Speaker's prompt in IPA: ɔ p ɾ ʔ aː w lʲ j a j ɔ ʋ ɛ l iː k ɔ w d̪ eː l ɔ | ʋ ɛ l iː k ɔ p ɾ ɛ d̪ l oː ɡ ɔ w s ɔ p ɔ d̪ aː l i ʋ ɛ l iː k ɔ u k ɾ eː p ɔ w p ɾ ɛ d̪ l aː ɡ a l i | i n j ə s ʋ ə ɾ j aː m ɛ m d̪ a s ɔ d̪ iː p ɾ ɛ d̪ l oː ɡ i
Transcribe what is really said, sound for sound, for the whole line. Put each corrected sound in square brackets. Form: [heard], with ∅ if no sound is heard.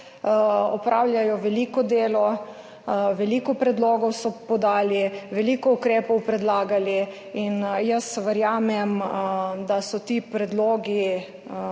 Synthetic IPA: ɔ p ɾ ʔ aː w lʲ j a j ɔ ʋ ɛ l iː k ɔ [∅] d̪ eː l ɔ | ʋ ɛ l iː k ɔ p ɾ ɛ d̪ l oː ɡ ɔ w s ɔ p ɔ d̪ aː l i ʋ ɛ l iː k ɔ u k ɾ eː p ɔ w p ɾ ɛ d̪ l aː ɡ a l i | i n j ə s ʋ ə ɾ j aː m ɛ m d̪ a s ɔ [t̪] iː p ɾ ɛ d̪ l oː ɡ i